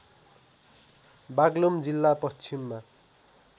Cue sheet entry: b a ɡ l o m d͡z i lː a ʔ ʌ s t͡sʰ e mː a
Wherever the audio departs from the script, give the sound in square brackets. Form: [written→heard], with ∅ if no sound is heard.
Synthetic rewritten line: b a ɡ l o m d͡z i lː a [ʔ→p] ʌ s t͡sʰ [e→i] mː a